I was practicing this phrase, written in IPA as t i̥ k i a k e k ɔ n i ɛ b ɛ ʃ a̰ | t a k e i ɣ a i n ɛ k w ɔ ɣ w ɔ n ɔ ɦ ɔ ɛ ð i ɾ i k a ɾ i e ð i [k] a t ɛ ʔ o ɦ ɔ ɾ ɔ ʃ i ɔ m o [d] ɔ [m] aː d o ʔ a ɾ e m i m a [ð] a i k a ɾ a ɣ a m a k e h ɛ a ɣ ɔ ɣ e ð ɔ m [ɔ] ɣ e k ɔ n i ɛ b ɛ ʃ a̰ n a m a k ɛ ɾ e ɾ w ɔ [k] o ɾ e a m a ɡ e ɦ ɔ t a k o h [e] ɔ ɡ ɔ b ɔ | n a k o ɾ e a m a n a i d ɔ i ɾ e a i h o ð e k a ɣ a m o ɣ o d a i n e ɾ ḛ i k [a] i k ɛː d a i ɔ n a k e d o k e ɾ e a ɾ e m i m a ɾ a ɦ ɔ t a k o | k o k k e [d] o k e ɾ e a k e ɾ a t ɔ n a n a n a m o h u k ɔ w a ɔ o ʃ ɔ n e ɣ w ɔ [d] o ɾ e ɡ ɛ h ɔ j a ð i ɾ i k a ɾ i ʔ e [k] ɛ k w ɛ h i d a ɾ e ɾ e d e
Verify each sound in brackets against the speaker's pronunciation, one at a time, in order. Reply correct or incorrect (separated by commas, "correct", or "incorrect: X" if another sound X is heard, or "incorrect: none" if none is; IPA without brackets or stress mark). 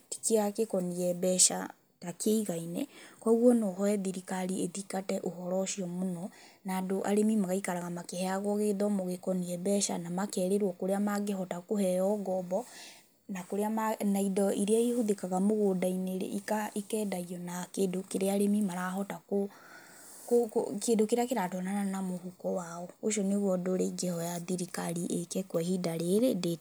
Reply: correct, incorrect: n, incorrect: n, incorrect: ɣ, incorrect: o, correct, incorrect: ɛ, correct, correct, correct, correct